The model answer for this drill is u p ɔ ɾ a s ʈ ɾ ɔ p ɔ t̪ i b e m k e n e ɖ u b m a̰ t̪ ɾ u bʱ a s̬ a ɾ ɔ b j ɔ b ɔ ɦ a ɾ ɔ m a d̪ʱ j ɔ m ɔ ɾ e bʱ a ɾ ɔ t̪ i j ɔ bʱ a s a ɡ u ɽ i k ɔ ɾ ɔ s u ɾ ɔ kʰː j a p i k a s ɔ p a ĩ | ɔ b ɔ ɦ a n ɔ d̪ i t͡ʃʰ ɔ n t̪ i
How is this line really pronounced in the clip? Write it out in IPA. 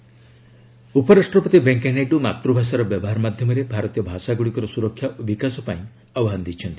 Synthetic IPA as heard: u p ɔ ɾ a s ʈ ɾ ɔ p ɔ t̪ i b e ŋ k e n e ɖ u m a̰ t̪ ɾ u bʱ a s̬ a ɾ ɔ b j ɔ b ɔ ɦ a ɾ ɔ m a d̪ʱ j ɔ m ɔ ɾ e bʱ a ɾ ɔ t̪ i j ɔ bʱ a s a ɡ u ɽ i k ɔ ɾ ɔ s u ɾ ɔ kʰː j a b i k a s ɔ p a ĩ | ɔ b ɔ ɦ a n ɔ d̪ i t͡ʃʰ ɔ n t̪ i